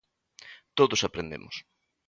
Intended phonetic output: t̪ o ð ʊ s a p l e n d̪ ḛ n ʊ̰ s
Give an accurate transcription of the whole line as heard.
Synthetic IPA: t̪ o ð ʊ s a p ɾ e n d̪ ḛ m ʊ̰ s

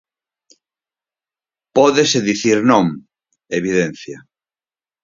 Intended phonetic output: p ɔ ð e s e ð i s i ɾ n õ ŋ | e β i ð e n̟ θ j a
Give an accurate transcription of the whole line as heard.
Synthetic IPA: p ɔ ð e s e ð i θ i ɾ n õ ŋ | e β i ð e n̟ θ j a

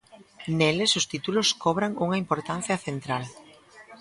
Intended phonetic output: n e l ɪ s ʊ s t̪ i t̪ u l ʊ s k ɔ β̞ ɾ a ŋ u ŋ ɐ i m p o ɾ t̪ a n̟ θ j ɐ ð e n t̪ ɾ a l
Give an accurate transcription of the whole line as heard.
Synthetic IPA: n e l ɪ s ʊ s t̪ i t̪ u l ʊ s k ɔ β̞ ɾ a ŋ u ŋ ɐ i m p o ɾ t̪ a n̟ θ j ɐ θ e n t̪ ɾ a l

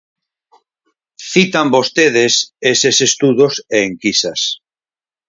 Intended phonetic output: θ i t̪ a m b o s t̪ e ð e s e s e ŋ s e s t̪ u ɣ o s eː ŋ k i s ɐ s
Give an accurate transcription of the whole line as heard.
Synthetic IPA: θ i t̪ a m b o s t̪ e ð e s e s e s e s t̪ u ð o s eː ŋ k i s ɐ s

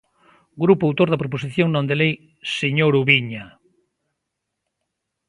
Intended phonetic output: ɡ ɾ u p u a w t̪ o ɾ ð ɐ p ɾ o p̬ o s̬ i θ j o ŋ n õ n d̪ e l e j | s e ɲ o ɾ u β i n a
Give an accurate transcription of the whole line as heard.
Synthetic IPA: ɡ ɾ u p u a w t̪ o ɾ ð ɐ p ɾ o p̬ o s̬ i θ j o ŋ n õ n d̪ e l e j | s e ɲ o ɾ u β i ɲ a

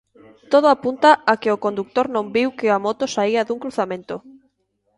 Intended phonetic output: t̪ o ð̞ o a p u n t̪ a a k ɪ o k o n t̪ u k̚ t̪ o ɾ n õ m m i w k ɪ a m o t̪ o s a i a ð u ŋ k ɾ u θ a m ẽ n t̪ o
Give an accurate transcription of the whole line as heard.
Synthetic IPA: t̪ o ð̞ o a p u n t̪ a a k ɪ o k o n d̪ u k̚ t̪ o ɾ n õ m b i w k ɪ a m o t̪ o s a i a ð u ŋ k ɾ u θ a m ẽ n t̪ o

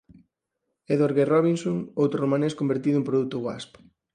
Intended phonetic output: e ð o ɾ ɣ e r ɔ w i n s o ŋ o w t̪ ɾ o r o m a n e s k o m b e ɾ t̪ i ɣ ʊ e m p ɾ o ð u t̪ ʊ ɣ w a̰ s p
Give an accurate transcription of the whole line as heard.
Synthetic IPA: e ð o ɾ ɣ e r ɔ β i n s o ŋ o w t̪ ɾ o r o m a n e s k o m b e ɾ t̪ i ð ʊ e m p ɾ o ð u t̪ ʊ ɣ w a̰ s p

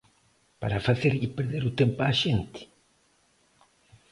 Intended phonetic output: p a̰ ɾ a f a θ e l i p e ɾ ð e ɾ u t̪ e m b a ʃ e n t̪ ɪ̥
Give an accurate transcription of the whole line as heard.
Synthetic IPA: p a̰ ɾ a f a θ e ɾ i p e ɾ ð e ɾ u t̪ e m p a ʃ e n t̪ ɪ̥

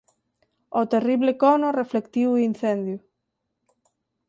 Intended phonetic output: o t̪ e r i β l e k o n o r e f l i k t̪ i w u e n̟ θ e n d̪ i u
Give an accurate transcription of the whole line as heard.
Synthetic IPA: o t̪ e r i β l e k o n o r e f l e k t̪ i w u i n̟ θ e n d̪ j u

